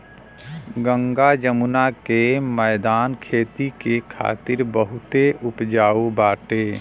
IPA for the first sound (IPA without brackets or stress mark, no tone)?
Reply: ɡ